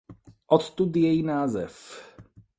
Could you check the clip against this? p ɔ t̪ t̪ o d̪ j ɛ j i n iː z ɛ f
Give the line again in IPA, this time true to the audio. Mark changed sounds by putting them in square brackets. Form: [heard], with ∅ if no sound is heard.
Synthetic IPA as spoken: [ʔ] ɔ t̪ t̪ [u] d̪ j ɛ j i n [aː] z ɛ f